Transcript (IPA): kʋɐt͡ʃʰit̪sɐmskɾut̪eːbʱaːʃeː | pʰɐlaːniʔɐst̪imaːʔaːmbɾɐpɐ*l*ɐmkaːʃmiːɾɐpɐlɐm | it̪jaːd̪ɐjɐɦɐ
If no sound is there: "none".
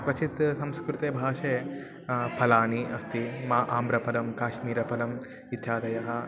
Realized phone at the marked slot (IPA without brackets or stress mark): l